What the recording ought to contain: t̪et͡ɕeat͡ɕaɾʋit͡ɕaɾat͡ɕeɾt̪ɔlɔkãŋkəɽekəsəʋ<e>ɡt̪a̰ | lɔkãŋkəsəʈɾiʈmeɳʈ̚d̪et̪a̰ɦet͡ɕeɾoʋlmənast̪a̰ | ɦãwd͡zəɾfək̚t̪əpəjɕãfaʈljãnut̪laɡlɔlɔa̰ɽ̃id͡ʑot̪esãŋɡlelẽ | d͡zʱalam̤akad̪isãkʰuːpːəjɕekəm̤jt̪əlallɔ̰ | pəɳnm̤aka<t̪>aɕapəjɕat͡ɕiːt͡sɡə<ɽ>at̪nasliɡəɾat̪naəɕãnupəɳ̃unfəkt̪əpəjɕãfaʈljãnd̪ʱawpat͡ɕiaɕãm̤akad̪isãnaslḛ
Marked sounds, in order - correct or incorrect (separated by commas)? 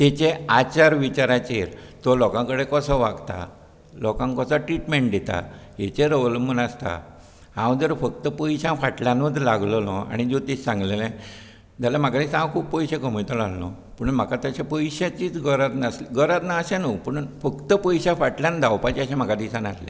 incorrect, correct, incorrect